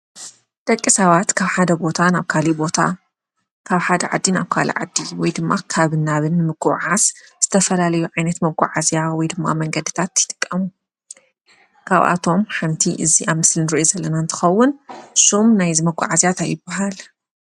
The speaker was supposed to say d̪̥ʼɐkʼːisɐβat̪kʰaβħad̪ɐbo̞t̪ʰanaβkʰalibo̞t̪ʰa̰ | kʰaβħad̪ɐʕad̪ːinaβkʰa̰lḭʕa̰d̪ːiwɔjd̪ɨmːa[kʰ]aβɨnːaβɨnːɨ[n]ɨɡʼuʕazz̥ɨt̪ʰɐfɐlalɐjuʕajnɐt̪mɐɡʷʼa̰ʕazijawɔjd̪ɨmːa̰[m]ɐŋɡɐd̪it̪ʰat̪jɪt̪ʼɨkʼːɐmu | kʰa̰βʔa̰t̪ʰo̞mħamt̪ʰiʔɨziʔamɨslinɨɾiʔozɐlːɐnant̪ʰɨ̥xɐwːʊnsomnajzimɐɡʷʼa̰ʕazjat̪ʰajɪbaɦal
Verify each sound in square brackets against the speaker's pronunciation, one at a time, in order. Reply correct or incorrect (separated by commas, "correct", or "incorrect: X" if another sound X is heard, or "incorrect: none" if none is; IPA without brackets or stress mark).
correct, incorrect: m, correct